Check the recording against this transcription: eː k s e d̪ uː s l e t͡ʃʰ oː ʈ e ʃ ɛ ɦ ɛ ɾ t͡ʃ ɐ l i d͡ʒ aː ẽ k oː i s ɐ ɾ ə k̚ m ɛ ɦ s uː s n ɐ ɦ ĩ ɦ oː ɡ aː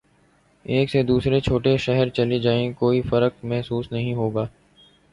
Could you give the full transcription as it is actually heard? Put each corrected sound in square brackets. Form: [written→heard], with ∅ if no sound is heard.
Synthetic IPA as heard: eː k s e d̪ uː s [l→ɾ] e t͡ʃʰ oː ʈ e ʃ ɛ ɦ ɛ ɾ t͡ʃ ɐ l i d͡ʒ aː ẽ k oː i [s→f] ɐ ɾ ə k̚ m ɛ ɦ s uː s n ɐ ɦ ĩ ɦ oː ɡ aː